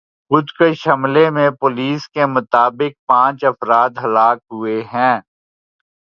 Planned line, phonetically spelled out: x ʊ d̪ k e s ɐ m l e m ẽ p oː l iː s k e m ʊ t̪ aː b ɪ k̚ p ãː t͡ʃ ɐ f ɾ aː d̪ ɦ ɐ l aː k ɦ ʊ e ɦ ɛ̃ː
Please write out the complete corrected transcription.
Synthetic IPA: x ʊ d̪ k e ʃ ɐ m l e m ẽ p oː l iː s k e m ʊ t̪ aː b ɪ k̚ p ãː t͡ʃ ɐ f ɾ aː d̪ ɦ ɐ l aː k ɦ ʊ e ɦ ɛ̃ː